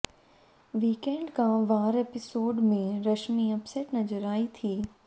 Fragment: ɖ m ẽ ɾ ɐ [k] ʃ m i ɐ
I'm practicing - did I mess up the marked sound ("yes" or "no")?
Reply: yes